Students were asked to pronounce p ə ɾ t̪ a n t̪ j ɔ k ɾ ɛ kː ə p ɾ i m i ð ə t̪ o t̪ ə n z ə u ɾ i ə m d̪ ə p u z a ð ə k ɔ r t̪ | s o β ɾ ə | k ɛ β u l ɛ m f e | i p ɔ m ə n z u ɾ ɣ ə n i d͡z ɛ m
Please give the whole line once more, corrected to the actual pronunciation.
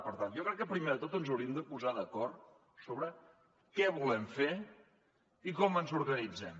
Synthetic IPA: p ə ɾ t̪ a n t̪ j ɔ k ɾ ɛ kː ə p ɾ i m e ð ə t̪ o t̪ ə n z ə w ɾ i ə m d̪ ə p u z a ð ə k ɔ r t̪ | s o β ɾ ə | k ɛ β u l ɛ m f e | i k ɔ m ə n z u ɾ ɣ ə n i d͡z ɛ m